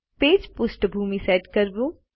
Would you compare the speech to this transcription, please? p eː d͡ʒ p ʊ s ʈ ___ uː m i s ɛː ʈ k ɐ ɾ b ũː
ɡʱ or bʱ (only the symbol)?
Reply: bʱ